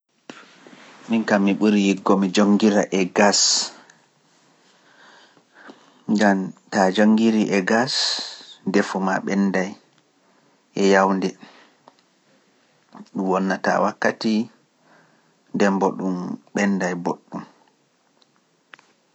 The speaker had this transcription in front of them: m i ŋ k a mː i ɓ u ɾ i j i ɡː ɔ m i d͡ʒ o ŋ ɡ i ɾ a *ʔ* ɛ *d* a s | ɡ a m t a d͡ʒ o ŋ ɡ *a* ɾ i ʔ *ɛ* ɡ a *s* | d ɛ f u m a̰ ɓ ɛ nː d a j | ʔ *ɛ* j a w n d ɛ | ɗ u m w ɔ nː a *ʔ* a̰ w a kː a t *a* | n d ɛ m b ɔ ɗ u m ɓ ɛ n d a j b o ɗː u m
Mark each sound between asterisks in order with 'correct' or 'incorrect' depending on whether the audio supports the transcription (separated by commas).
correct, incorrect, incorrect, correct, correct, correct, incorrect, incorrect